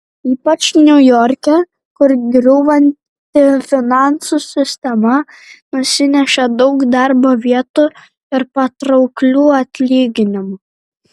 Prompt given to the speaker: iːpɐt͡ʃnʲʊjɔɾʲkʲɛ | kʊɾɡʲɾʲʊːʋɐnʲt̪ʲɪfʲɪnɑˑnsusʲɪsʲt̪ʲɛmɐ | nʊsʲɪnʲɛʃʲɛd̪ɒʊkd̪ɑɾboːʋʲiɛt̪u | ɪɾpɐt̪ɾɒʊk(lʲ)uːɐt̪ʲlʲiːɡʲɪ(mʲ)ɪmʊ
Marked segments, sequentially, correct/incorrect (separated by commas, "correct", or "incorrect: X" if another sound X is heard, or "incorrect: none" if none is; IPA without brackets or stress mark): correct, incorrect: nʲ